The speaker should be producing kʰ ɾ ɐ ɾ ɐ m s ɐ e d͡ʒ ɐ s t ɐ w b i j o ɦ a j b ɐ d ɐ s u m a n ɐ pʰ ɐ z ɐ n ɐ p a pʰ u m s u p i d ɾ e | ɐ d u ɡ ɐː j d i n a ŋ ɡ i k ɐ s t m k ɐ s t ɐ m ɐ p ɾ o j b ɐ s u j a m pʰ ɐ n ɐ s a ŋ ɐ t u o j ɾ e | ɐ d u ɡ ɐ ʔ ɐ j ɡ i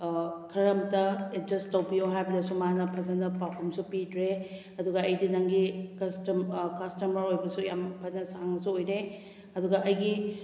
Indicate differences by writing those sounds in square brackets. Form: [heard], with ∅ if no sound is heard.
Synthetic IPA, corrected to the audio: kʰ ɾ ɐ ɾ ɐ m [t] ɐ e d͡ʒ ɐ s t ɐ w b i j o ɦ a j b ɐ d ɐ s u m a n ɐ pʰ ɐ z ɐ n ɐ p a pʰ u m s u p i d ɾ e | ɐ d u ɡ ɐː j d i n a ŋ ɡ i k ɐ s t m k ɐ s t ɐ m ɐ [∅] ɾ o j b ɐ s u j a m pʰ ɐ n ɐ s a ŋ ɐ [s] u o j ɾ e | ɐ d u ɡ ɐ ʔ ɐ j ɡ i

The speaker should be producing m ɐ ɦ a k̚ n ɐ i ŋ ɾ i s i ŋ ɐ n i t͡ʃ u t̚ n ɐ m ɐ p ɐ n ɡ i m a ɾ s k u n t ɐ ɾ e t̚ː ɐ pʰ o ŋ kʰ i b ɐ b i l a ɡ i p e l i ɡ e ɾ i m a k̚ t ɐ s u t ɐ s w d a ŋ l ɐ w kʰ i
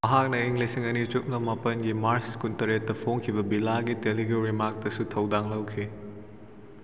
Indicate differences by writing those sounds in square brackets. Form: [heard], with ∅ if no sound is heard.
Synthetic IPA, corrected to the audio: m ɐ ɦ a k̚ n ɐ i ŋ [l] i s i ŋ ɐ n i t͡ʃ u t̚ n ɐ m ɐ p ɐ n ɡ i m a ɾ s k u n t ɐ ɾ e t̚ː ɐ pʰ o ŋ kʰ i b ɐ b i l a ɡ i [t] e l i ɡ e ɾ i m a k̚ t ɐ s u [tʰ] ɐ [∅] w d a ŋ l ɐ w kʰ i

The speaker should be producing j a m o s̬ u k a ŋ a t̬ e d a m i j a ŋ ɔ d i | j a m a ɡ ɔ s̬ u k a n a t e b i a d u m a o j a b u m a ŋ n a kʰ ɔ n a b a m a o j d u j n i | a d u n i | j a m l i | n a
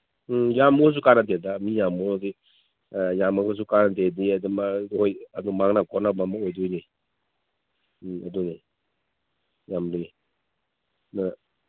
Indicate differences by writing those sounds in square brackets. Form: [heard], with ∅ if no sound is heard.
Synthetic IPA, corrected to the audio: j a m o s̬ u k a [n] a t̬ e d a m i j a [m] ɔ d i | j a m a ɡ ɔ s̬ u k a n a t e [d] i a d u m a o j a [d] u m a ŋ n a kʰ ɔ n a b a m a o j d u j n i | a d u n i | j a m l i | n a

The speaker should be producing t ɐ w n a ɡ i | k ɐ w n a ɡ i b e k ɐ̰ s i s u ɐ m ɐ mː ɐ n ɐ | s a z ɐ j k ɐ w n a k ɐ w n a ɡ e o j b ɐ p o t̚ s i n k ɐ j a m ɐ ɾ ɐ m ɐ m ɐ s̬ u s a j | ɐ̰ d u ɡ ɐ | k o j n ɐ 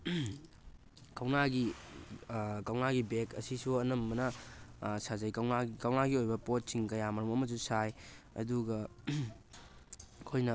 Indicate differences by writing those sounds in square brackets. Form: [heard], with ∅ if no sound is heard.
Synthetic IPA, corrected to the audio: [k] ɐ w n a ɡ i | k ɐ w n a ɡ i b e k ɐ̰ s i s u ɐ [n] ɐ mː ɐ n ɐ | s a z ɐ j k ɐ w n a k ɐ w n a ɡ [i] o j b ɐ p o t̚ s i [ŋ] k ɐ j a m ɐ ɾ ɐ m ɐ m ɐ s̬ u s a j | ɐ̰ d u ɡ ɐ | [kʰ] o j n ɐ

